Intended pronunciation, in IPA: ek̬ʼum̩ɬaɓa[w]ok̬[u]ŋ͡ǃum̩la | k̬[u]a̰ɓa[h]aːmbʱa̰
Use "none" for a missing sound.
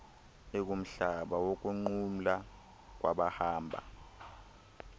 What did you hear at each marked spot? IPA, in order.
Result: w, u, w, h

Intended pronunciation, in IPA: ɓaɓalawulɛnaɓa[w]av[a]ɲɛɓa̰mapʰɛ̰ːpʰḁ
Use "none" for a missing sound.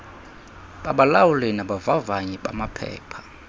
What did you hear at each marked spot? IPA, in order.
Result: v, a

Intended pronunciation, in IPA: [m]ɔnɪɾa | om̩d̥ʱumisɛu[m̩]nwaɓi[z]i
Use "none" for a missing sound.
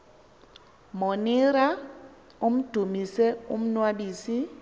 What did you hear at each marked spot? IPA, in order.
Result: m, m̩, s

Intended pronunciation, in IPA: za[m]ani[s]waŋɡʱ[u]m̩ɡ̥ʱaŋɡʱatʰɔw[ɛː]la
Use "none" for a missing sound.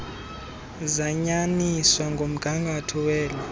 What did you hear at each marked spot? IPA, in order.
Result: ɲ, s, o, ɛː

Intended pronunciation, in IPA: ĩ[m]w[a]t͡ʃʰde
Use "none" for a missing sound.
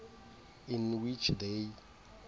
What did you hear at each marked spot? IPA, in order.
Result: n, i

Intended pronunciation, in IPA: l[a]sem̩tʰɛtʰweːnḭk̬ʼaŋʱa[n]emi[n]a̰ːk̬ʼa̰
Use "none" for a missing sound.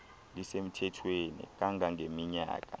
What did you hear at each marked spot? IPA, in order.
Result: i, ŋ, ɲ

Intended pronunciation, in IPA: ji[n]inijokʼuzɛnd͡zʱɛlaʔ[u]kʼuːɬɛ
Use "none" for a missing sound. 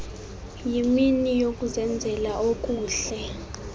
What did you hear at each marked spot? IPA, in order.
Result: m, o

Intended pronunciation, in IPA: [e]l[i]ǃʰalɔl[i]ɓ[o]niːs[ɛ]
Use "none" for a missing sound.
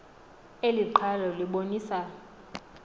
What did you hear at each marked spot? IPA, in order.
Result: e, i, i, o, a

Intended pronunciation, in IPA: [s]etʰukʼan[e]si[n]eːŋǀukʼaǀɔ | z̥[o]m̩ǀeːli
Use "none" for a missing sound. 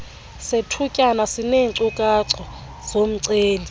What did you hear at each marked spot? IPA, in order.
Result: s, a, n, o

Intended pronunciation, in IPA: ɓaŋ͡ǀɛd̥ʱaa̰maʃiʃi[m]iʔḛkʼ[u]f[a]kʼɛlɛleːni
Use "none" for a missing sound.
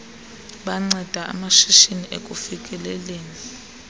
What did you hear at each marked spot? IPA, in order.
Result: n, u, i

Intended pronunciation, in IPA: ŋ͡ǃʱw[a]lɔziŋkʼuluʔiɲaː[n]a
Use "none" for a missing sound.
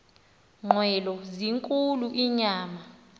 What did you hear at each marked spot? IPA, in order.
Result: ɛ, m

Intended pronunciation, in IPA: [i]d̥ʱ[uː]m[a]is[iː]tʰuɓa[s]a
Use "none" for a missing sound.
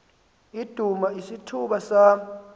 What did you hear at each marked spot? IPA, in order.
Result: i, u, a, i, s

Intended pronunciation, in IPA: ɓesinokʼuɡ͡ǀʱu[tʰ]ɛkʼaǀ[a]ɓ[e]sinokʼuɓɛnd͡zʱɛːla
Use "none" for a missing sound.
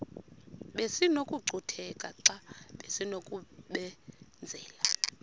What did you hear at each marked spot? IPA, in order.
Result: tʰ, a, e

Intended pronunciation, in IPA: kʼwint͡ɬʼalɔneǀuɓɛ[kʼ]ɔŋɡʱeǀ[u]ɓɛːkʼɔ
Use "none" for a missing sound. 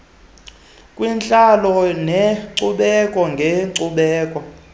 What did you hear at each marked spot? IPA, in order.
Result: kʼ, u

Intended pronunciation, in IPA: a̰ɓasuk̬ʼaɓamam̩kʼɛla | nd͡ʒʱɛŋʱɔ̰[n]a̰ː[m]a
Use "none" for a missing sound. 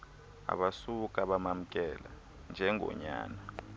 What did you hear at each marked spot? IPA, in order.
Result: ɲ, n

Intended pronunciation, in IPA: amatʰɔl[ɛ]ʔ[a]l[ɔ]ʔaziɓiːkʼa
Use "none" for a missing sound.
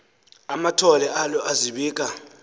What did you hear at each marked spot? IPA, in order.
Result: ɛ, a, ɔ

